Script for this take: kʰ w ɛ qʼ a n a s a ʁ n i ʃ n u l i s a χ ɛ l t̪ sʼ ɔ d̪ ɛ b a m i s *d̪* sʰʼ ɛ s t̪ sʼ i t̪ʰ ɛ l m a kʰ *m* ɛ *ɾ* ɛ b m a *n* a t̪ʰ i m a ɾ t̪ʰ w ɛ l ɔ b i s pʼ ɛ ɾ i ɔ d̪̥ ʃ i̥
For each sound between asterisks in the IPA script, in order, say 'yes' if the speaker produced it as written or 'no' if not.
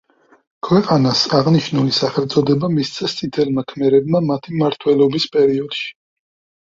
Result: no, yes, yes, no

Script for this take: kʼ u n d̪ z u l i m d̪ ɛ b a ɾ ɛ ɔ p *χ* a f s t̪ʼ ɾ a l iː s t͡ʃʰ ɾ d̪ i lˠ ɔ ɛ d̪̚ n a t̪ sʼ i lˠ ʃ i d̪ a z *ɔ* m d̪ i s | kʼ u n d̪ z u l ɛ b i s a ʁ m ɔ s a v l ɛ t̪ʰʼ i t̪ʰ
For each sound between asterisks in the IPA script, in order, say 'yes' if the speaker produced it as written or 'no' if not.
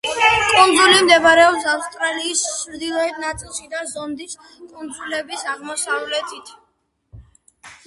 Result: no, yes

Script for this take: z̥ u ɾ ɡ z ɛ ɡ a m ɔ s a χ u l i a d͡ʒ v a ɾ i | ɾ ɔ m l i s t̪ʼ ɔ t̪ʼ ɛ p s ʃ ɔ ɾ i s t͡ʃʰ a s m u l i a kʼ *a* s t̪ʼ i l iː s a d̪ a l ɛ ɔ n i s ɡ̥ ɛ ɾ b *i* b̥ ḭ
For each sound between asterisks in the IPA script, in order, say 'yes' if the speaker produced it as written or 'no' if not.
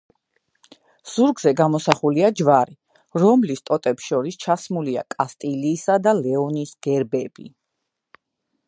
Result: yes, no

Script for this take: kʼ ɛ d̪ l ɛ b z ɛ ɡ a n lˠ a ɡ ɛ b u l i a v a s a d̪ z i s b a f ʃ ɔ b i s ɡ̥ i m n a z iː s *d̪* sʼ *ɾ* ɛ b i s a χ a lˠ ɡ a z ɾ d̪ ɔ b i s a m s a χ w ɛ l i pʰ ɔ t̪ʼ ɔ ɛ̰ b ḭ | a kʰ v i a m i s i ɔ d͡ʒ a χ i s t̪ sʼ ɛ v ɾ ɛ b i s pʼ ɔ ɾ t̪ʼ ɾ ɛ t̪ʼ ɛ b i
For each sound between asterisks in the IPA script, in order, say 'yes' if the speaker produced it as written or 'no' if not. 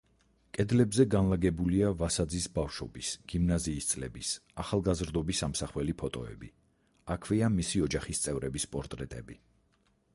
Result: no, no

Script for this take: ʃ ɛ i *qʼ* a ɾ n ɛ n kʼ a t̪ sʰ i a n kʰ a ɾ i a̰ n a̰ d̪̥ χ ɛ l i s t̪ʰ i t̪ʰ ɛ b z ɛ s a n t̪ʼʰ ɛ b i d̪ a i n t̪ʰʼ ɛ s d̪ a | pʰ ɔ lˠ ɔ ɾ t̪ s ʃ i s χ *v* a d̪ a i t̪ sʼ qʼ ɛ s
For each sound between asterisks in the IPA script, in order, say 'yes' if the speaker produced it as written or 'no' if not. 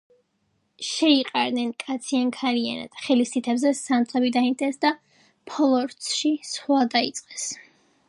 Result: yes, no

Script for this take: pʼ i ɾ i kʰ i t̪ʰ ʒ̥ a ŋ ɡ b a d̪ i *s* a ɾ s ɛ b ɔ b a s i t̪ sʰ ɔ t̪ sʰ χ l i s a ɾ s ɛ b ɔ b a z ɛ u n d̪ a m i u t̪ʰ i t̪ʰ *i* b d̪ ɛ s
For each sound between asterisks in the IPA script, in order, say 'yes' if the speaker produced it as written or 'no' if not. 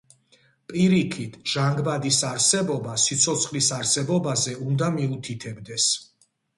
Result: yes, no

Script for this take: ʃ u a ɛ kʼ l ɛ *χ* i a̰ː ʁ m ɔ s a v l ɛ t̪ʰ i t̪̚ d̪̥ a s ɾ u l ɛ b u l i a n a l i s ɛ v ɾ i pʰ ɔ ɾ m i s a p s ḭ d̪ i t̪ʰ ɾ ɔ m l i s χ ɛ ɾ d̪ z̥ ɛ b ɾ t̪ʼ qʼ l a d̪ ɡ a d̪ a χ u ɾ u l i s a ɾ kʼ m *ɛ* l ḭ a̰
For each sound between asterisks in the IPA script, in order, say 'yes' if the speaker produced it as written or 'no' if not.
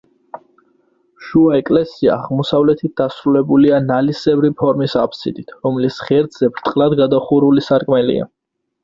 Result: no, yes

